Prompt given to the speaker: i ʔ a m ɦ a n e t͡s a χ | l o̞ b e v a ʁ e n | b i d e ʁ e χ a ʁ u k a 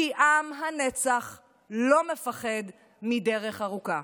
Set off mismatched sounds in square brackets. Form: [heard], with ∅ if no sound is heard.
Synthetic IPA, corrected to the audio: i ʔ a m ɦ a n e t͡s a χ | l o̞ [m] e [f] a [χ] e [d] | [m] i d e ʁ e χ a ʁ u k a